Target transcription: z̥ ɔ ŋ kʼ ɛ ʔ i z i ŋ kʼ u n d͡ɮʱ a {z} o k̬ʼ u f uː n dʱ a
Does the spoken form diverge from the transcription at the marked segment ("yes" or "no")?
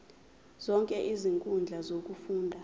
no